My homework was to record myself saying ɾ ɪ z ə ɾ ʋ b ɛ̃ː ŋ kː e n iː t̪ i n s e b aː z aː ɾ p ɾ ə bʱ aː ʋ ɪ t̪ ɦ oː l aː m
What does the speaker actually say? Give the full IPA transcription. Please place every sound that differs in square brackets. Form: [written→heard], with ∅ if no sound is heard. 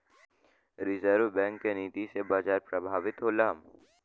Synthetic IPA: ɾ ɪ z ə ɾ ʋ b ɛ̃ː ŋ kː e n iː t̪ i [n→∅] s e b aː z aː ɾ p ɾ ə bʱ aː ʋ ɪ t̪ ɦ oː l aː m